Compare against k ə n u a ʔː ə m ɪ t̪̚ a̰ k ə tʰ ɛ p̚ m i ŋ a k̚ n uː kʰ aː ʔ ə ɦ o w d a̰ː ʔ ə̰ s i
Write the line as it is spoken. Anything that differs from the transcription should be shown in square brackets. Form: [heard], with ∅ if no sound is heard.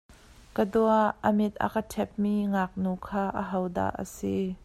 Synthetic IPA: k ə [d] u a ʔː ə m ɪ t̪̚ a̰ k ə tʰ ɛ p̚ m i ŋ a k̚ n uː kʰ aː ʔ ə ɦ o w d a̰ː ʔ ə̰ s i